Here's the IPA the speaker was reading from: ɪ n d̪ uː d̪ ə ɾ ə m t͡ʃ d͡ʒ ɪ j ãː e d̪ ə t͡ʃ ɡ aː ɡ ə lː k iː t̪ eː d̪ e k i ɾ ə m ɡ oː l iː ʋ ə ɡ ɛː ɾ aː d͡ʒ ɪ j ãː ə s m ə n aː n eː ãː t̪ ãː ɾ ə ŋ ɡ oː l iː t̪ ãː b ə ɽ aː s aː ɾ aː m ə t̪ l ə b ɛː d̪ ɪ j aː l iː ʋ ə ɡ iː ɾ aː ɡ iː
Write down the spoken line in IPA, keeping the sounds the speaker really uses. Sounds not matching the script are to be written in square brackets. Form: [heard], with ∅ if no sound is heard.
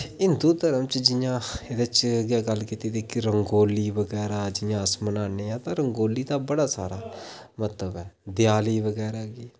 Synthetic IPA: ɪ n d̪ uː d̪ ə ɾ ə m t͡ʃ d͡ʒ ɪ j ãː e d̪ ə t͡ʃ ɡ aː ɡ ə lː k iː t̪ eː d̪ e k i ɾ ə [ŋ] ɡ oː l iː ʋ ə ɡ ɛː ɾ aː d͡ʒ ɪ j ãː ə s m ə n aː n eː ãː t̪ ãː ɾ ə ŋ ɡ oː l iː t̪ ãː b ə ɽ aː s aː ɾ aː m ə t̪ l ə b ɛː d̪ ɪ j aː l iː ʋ ə ɡ [ɛː] ɾ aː ɡ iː